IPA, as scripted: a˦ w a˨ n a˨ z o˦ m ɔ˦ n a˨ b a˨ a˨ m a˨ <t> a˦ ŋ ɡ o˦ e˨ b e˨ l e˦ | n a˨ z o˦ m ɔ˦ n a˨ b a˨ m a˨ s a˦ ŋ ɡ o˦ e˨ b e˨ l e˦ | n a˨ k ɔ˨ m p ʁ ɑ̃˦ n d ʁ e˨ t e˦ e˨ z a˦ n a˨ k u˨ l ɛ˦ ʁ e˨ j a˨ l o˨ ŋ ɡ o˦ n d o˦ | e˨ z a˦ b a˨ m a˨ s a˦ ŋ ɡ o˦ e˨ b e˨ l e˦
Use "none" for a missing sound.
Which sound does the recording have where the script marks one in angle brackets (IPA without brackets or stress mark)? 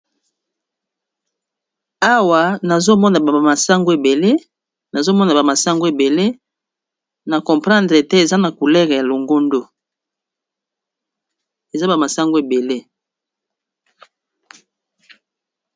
s